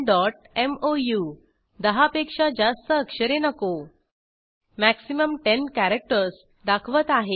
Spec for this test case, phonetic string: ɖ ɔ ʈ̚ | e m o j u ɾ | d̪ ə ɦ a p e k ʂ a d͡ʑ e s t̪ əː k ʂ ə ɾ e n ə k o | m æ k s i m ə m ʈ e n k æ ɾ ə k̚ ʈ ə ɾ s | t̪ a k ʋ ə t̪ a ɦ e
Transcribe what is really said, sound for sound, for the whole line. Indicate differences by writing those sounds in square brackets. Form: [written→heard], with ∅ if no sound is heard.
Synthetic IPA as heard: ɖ ɔ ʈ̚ | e m o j u [ɾ→∅] | d̪ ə ɦ a p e k ʂ a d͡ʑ [e→a] s t̪ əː k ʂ ə ɾ e n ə k o | m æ k s i m ə m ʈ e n k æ ɾ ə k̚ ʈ ə ɾ s | [t̪→d̪] a [k→kʰ] ʋ ə t̪ a ɦ e

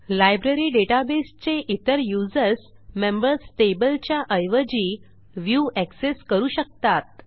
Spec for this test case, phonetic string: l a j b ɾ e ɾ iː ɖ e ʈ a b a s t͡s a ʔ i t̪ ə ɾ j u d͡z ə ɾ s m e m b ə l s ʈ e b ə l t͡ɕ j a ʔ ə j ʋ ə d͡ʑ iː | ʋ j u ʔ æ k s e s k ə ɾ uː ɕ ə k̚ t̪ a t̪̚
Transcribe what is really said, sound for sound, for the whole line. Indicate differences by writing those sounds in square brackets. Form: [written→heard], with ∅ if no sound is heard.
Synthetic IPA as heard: l a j b ɾ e ɾ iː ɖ e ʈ a b [a→e] s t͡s [a→e] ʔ i t̪ ə ɾ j u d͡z ə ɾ s m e m b ə [l→ɾ] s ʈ e b ə l t͡ɕ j a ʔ ə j ʋ ə d͡ʑ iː | ʋ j u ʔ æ k s e s k ə ɾ uː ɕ ə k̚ t̪ a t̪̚

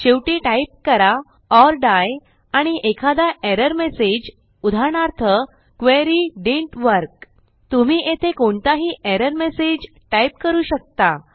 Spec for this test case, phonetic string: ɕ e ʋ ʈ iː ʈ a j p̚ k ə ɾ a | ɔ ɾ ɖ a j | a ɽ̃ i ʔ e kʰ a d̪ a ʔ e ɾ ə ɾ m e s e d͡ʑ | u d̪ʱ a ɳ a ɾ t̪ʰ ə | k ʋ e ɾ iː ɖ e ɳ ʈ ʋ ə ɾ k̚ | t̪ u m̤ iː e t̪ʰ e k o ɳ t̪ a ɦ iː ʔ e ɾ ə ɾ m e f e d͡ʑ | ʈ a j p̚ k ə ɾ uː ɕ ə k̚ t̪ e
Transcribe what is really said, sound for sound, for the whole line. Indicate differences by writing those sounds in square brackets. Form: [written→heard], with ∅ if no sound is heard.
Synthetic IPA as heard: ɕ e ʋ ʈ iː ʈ a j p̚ k ə ɾ a | ɔ ɾ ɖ a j | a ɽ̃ i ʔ e kʰ a d̪ a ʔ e ɾ ə ɾ m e s e d͡ʑ | u d̪ʱ a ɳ a ɾ t̪ʰ ə | k ʋ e ɾ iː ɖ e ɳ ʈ ʋ ə ɾ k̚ | t̪ u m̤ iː e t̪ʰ e k o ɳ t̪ a ɦ iː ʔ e ɾ ə ɾ m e [f→s] e d͡ʑ | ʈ a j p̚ k ə ɾ uː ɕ ə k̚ t̪ [e→a]

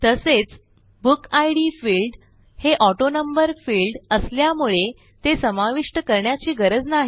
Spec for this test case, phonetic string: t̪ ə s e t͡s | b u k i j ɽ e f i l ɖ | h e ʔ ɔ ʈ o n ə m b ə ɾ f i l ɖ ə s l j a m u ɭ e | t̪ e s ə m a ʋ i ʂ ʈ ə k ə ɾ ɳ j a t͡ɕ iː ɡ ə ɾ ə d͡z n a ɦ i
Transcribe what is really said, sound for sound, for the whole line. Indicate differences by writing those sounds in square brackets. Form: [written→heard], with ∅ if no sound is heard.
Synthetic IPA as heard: t̪ ə s e t͡s | b u k [i→a] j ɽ [e→i] f i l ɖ | h e ʔ ɔ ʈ o n ə m b ə ɾ f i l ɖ ə s l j a m u ɭ e | t̪ e s ə m a ʋ i ʂ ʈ ə k ə ɾ ɳ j a t͡ɕ iː ɡ ə ɾ ə d͡z n a ɦ i

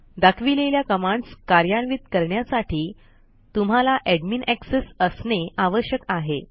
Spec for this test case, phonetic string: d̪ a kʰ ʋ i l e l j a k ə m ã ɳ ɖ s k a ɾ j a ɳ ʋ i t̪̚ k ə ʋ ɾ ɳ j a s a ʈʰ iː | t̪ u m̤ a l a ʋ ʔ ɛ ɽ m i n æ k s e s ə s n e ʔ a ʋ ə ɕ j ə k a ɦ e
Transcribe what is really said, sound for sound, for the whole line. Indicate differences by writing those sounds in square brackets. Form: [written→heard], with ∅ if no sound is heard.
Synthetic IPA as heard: d̪ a kʰ ʋ i l e l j a k ə m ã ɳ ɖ s k a ɾ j a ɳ ʋ i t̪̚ k ə [ʋ→∅] ɾ ɳ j a s a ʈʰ iː | t̪ u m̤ a l a [ʋ→∅] ʔ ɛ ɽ m i n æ k s e s ə s n e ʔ a ʋ ə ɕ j ə k a ɦ e

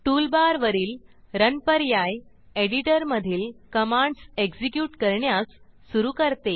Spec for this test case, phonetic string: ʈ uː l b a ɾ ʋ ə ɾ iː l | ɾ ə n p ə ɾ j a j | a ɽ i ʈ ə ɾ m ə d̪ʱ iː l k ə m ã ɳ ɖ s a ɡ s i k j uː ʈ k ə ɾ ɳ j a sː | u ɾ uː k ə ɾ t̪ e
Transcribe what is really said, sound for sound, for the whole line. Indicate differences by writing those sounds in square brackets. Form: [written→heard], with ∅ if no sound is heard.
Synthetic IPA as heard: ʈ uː l b a ɾ ʋ ə ɾ iː l | ɾ ə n p ə ɾ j a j | [a→e] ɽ i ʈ ə ɾ m ə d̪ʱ iː l k ə m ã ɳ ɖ s [a→e] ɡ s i k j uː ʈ k ə ɾ ɳ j a sː | u ɾ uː k ə ɾ t̪ e

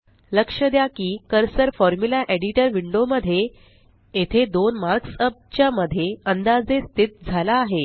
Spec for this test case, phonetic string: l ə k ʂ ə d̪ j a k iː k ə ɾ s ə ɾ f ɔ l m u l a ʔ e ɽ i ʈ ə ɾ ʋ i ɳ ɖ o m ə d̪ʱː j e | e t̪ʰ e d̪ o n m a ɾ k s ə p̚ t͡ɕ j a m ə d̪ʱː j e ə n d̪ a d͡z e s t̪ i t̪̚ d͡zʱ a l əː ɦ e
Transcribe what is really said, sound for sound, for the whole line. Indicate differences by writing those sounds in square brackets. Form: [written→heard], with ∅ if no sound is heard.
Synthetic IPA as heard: l ə k ʂ ə d̪ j a k iː k ə ɾ s ə ɾ f ɔ [l→ɾ] m u l a ʔ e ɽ i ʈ ə ɾ ʋ i ɳ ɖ o m ə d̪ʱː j e | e t̪ʰ e d̪ o n m a ɾ k s ə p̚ t͡ɕ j a m ə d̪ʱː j e ə n d̪ a d͡z e s t̪ i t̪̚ d͡zʱ a l [əː→aː] ɦ e

